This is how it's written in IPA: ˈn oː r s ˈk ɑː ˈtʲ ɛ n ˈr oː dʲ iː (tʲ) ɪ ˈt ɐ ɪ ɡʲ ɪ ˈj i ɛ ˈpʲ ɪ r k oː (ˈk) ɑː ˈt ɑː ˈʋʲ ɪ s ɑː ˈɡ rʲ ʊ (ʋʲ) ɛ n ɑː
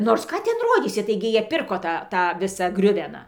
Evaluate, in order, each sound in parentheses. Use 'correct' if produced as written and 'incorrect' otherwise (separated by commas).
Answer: incorrect, incorrect, correct